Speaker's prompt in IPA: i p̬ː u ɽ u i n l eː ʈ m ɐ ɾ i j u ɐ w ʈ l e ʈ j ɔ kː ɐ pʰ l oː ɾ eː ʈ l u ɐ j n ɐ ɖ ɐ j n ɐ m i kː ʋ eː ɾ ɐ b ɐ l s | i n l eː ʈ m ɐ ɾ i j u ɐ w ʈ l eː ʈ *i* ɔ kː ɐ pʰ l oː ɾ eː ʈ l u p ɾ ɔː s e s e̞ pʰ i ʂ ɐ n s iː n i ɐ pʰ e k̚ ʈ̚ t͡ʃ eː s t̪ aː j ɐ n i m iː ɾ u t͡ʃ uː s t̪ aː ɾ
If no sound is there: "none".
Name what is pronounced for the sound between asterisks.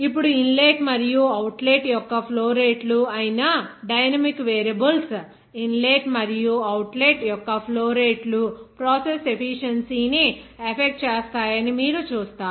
j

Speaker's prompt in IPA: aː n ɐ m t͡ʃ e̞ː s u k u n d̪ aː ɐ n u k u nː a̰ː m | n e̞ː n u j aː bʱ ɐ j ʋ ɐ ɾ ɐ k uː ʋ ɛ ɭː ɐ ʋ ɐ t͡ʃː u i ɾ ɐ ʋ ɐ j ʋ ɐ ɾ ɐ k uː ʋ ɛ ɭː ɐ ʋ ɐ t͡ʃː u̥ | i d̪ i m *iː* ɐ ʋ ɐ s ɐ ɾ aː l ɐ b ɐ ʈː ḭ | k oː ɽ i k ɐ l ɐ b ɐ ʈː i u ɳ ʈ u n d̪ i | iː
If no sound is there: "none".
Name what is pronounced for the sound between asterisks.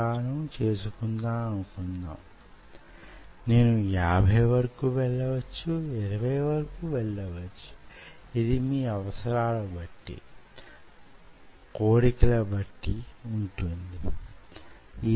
iː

